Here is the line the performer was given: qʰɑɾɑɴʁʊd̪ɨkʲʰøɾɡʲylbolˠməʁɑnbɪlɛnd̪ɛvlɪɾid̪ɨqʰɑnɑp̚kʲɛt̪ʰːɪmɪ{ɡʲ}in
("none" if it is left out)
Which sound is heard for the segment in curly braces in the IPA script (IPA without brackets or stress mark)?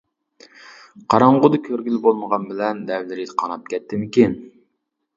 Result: kʲ